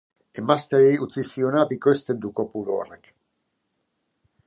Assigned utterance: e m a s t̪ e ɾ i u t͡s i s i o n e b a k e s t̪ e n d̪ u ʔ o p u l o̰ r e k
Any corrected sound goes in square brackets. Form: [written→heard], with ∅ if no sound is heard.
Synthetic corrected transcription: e m a s t̪ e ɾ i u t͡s i s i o n [e→a] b [a→i] k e s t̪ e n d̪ u [ʔ→k] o p u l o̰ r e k